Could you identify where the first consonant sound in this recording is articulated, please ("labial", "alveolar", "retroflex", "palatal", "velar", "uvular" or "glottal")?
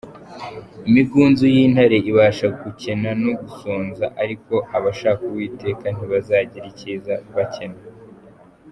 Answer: labial